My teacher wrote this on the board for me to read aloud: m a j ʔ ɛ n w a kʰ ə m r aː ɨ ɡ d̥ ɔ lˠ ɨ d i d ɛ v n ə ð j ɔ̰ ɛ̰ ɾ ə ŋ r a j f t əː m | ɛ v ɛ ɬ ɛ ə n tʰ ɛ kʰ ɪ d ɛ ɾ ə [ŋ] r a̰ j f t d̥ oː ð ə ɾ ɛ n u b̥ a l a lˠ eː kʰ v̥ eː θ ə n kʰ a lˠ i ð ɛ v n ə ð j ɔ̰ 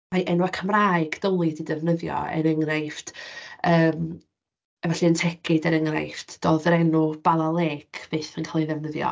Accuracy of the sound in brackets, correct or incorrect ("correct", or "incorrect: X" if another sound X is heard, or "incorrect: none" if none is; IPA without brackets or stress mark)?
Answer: correct